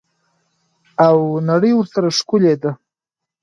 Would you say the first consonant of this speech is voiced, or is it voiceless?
voiced